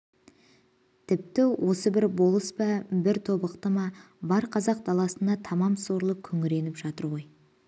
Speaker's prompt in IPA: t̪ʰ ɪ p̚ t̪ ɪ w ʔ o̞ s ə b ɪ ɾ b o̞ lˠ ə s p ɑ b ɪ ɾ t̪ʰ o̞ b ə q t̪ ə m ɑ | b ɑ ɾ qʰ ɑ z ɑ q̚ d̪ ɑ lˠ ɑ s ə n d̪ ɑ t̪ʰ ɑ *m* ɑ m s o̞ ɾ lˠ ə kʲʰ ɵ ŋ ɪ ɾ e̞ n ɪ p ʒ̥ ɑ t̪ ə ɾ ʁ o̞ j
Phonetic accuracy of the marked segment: correct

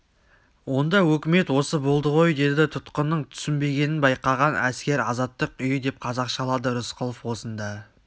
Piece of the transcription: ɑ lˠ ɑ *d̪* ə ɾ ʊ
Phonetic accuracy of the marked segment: correct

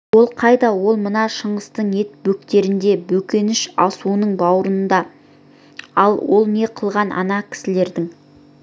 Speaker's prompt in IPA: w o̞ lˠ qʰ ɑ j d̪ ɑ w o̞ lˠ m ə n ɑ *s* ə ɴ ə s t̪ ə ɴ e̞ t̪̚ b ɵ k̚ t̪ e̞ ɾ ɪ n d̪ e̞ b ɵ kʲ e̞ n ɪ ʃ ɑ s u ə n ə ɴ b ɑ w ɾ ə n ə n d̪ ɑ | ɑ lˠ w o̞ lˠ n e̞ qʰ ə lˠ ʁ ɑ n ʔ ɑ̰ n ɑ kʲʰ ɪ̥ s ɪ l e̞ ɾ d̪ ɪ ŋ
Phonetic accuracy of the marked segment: incorrect: ʃ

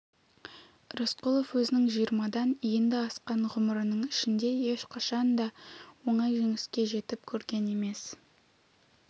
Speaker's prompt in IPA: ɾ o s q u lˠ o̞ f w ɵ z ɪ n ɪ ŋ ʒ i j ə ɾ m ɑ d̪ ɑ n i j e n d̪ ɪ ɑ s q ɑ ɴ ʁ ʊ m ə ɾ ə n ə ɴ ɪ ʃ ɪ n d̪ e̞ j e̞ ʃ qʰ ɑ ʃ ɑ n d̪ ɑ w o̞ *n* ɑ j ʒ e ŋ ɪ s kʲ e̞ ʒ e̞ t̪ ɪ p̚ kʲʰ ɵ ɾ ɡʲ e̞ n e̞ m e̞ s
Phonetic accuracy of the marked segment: incorrect: ɴ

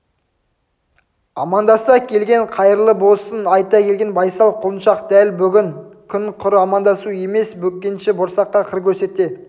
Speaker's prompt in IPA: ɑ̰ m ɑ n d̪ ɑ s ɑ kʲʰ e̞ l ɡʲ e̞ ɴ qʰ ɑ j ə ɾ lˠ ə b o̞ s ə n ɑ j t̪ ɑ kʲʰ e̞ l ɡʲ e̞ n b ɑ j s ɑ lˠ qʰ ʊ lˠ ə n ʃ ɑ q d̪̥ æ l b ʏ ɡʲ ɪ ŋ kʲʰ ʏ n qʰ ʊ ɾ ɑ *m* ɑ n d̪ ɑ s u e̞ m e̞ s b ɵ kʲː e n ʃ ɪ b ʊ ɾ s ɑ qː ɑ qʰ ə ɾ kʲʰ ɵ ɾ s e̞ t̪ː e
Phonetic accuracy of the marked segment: correct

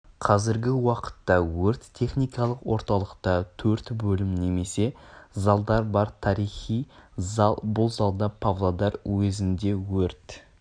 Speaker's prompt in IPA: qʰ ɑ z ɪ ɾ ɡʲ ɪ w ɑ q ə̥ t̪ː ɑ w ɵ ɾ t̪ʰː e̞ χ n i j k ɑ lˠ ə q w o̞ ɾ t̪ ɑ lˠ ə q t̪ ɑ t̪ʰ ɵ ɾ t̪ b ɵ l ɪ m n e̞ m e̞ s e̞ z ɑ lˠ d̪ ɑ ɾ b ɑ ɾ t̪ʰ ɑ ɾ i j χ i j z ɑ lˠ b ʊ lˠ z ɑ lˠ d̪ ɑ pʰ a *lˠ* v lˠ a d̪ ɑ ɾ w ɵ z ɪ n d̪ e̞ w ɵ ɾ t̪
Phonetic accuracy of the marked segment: incorrect: none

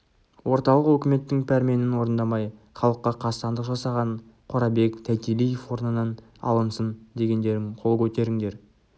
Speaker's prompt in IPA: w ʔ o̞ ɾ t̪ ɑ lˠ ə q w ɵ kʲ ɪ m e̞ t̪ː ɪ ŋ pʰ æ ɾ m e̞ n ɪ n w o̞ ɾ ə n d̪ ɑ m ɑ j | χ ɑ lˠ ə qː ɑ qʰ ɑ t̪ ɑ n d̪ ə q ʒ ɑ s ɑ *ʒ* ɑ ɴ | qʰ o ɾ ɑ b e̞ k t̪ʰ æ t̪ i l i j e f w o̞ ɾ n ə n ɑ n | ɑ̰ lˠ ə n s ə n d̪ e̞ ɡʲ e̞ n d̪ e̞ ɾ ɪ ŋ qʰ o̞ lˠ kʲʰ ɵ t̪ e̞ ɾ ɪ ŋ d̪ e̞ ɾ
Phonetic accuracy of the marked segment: incorrect: ʁ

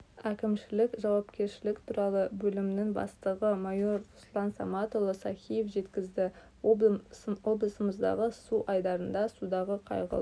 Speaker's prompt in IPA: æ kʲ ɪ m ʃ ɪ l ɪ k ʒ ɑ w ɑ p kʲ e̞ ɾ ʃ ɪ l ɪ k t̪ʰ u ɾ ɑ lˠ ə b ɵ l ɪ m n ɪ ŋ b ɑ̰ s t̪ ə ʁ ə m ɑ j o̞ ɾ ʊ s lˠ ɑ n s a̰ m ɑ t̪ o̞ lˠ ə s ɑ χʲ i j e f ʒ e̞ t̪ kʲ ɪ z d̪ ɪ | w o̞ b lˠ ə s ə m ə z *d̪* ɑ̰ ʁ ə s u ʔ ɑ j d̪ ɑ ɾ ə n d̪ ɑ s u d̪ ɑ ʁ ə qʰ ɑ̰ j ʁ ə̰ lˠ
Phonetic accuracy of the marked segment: correct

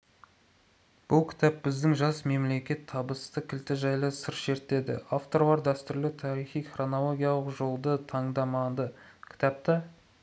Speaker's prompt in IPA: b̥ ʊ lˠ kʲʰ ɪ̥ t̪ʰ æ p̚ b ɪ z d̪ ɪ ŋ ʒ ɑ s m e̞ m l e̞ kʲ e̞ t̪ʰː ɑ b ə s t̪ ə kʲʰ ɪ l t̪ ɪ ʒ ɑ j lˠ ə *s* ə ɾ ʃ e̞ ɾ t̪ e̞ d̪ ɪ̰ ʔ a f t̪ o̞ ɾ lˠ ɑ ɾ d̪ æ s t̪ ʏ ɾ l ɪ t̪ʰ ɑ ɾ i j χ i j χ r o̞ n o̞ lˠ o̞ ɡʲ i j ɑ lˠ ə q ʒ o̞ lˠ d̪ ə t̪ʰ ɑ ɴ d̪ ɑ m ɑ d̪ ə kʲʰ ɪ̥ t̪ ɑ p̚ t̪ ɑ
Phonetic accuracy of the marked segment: correct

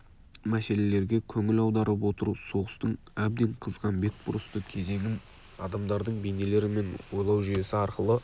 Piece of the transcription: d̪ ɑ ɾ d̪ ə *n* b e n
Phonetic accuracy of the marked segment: incorrect: ɴ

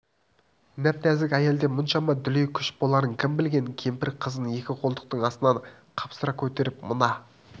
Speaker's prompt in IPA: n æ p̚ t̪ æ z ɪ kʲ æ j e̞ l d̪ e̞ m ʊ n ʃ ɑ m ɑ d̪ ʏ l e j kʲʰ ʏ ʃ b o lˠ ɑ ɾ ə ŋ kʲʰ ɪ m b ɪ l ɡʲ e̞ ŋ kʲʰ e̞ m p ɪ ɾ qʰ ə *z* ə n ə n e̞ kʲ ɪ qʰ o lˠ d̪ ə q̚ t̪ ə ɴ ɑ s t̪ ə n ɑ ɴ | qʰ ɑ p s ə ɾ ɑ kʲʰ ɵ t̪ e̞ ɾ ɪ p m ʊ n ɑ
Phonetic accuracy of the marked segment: correct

